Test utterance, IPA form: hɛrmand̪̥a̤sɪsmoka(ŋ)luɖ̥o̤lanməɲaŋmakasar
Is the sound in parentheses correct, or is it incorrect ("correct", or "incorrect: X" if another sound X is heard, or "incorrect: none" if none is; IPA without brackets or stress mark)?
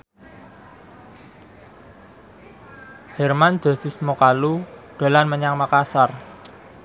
incorrect: none